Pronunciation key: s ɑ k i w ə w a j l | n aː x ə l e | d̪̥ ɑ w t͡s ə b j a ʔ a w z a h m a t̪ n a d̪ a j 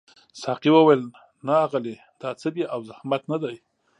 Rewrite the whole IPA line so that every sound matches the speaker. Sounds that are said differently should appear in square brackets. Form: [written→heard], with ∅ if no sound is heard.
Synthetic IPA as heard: s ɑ [k→q] i w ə w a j l | n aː [x→ɣ] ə l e | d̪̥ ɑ [w→∅] t͡s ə b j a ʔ a w z a h m a t̪ n a d̪ a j